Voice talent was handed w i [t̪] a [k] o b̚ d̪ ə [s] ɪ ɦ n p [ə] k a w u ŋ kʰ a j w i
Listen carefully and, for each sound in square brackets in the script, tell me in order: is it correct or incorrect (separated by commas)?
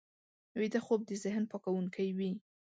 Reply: incorrect, incorrect, incorrect, incorrect